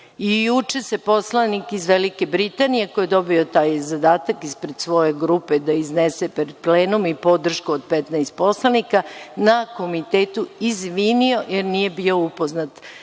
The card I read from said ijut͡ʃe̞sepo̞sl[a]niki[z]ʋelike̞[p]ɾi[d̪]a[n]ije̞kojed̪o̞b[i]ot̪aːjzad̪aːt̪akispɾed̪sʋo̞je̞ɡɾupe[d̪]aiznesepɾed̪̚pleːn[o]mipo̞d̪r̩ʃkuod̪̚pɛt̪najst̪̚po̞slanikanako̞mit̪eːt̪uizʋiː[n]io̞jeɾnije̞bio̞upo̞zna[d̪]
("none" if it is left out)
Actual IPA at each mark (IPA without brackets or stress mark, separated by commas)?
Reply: a, z, b, t̪, n, i, d̪, u, n, t̪